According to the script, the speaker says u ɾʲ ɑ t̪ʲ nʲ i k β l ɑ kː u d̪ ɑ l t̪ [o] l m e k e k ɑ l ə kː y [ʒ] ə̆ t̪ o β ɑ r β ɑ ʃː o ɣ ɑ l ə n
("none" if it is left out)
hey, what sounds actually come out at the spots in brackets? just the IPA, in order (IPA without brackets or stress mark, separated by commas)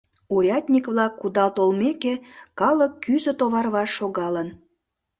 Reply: o, z